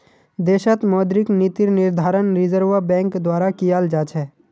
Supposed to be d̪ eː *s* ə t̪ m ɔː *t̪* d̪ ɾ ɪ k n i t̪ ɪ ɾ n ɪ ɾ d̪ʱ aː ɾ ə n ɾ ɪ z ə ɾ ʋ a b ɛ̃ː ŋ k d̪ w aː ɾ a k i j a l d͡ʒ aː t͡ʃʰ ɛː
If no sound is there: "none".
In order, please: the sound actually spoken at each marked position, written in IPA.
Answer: ʃ, none

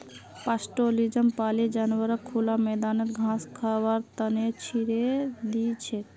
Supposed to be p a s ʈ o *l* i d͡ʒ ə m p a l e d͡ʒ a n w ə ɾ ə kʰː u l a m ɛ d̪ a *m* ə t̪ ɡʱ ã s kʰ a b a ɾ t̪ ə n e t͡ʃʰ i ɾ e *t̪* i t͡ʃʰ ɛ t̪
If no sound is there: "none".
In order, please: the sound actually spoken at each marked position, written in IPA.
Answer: l, n, d̪

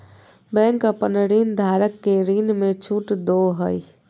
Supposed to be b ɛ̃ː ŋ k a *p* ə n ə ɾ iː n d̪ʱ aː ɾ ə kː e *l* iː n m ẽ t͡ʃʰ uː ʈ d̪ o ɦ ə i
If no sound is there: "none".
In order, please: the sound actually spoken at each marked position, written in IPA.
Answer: p, ɾ

